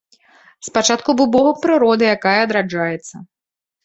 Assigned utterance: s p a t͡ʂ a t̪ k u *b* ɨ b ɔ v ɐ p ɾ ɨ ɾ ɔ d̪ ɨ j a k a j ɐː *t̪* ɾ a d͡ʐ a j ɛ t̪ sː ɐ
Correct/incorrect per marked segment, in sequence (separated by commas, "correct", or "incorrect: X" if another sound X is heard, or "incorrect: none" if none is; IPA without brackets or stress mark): correct, incorrect: d̪